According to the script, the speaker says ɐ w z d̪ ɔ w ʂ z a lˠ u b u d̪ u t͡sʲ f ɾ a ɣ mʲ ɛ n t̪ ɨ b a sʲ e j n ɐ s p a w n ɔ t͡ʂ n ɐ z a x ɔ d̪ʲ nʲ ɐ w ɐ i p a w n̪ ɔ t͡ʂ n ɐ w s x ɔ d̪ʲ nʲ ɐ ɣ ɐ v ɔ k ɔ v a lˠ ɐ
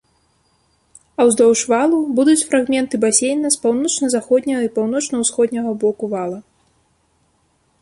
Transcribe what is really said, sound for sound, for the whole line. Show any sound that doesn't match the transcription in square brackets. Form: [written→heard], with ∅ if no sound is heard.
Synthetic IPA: ɐ w z d̪ ɔ w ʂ [z→v] a lˠ u b u d̪ u t͡sʲ f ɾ a ɣ mʲ ɛ n t̪ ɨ b a sʲ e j n ɐ s p a w n ɔ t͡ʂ n ɐ z a x ɔ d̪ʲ nʲ ɐ [w→ɣ] ɐ i p a w n̪ ɔ t͡ʂ n ɐ w s x ɔ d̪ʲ nʲ ɐ ɣ ɐ [v→b] ɔ k [ɔ→u] v a lˠ ɐ